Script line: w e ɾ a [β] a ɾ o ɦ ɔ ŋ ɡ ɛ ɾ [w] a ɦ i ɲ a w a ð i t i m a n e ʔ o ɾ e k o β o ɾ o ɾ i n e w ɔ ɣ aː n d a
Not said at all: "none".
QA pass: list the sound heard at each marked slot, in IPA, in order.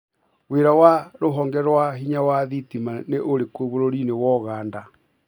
w, w

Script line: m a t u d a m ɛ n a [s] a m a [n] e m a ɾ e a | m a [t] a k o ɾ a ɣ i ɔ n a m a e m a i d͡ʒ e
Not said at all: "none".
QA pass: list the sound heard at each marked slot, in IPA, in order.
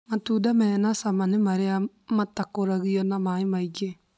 s, n, t

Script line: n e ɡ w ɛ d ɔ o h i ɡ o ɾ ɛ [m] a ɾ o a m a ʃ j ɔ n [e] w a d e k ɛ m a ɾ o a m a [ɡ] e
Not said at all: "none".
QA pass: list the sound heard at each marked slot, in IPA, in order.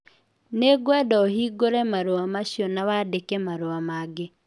m, a, ɡ

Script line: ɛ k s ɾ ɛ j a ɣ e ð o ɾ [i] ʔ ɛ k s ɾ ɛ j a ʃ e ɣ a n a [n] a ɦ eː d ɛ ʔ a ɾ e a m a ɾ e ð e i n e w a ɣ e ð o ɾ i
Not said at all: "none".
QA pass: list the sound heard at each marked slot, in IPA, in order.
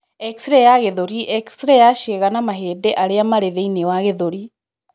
i, m

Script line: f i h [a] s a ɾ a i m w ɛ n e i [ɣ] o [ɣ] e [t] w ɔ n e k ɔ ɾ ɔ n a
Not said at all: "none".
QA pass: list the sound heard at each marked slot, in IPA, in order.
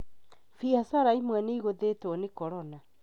a, ɣ, ð, t

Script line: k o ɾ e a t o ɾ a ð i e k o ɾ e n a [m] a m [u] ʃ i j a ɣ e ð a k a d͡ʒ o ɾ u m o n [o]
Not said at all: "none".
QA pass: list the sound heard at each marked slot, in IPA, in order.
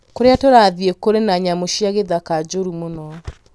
ɲ, o, ɔ

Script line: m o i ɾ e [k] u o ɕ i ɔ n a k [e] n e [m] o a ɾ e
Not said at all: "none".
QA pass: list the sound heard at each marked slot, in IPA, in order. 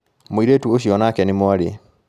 t, ɛ, m

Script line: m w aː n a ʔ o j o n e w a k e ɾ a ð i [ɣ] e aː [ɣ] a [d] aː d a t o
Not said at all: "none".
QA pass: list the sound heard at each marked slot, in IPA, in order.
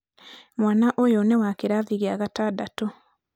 ɣ, ɣ, t

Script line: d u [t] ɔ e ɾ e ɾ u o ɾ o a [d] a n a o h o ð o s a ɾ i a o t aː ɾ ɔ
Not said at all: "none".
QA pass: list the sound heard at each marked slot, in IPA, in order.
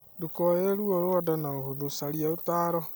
k, d

